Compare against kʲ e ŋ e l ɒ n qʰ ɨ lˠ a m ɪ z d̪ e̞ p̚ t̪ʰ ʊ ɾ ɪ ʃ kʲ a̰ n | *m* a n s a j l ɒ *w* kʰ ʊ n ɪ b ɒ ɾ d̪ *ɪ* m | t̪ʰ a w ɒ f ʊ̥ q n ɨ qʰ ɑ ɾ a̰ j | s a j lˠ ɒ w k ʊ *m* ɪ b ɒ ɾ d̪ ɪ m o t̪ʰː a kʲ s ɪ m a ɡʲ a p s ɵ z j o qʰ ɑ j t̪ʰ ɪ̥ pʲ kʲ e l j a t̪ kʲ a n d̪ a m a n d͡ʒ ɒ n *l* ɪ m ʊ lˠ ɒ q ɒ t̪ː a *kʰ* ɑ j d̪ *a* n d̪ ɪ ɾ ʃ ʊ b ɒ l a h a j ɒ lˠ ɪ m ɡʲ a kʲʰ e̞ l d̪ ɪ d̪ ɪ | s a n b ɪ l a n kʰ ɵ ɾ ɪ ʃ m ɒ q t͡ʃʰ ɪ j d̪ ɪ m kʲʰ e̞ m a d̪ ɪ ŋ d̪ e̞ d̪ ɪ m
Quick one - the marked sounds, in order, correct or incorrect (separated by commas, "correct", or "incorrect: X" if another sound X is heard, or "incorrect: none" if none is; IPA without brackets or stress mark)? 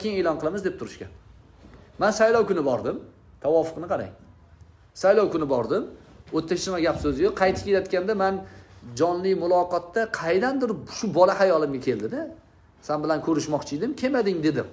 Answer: correct, correct, correct, incorrect: n, correct, incorrect: qʰ, correct